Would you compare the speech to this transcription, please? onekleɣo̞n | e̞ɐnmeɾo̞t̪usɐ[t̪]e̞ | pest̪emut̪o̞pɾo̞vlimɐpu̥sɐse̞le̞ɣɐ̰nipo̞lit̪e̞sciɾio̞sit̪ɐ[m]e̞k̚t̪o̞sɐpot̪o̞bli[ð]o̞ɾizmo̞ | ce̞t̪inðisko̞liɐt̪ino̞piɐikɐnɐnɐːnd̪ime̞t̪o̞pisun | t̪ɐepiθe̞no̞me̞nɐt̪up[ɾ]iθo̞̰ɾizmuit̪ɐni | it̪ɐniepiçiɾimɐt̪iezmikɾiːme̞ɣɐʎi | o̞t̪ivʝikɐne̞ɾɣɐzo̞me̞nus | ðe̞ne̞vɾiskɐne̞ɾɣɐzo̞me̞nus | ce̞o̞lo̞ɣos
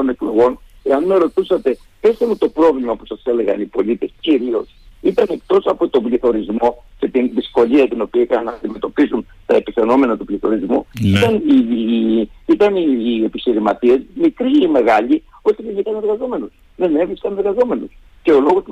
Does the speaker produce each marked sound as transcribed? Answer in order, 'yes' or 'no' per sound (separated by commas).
yes, no, no, no